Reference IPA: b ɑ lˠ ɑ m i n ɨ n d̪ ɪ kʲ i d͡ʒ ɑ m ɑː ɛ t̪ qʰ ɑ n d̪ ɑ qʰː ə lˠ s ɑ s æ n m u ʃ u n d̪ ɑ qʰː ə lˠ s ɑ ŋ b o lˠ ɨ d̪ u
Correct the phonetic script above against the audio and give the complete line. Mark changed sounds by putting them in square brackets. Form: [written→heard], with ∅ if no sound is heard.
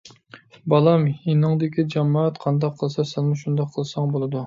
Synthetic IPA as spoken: b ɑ lˠ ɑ m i n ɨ [n→ŋ] d̪ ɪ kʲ i d͡ʒ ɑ m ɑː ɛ t̪ qʰ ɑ n d̪ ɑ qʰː ə lˠ s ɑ s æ n m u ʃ u n d̪ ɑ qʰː ə lˠ s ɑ ŋ b o lˠ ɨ d̪ u